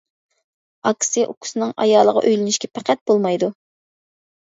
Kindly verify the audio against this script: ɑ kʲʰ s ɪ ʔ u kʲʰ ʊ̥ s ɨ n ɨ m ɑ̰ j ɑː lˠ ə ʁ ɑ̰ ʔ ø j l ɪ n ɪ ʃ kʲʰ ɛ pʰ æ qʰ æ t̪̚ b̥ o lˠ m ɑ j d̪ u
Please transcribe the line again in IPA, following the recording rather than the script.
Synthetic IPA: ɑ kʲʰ s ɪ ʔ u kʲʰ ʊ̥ s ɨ n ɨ ŋ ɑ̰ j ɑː lˠ ə ʁ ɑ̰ ʔ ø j l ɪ n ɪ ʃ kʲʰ ɛ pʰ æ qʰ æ t̪̚ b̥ o lˠ m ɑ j d̪ u